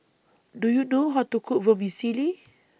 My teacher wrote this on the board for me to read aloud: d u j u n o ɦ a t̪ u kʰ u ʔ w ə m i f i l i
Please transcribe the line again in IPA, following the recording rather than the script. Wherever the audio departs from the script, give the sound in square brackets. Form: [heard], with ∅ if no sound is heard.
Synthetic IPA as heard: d u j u n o ɦ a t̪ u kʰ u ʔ [v] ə m i [s] i l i